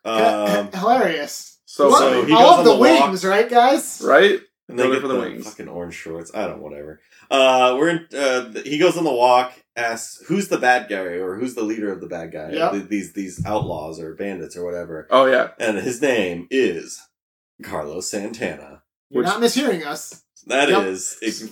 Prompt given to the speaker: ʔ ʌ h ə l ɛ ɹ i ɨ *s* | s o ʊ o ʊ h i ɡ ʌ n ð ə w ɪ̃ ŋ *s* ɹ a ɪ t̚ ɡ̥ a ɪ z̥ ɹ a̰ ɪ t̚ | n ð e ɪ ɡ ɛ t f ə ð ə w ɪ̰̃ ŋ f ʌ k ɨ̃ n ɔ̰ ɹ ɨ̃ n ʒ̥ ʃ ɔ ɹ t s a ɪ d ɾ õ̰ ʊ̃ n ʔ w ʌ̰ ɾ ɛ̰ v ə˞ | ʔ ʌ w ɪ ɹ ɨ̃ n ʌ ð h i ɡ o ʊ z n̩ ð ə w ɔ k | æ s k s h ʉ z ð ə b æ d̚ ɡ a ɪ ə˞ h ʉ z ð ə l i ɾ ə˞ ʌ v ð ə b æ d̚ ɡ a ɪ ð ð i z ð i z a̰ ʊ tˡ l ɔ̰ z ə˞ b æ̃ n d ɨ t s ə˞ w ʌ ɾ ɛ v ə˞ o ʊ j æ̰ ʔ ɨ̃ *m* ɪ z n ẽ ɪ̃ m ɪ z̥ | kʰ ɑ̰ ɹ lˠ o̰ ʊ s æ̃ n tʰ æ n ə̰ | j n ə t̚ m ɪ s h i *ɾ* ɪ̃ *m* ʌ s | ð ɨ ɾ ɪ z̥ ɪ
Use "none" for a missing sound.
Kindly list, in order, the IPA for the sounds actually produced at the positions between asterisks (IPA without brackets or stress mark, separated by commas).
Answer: s, z, n, ɹ, ŋ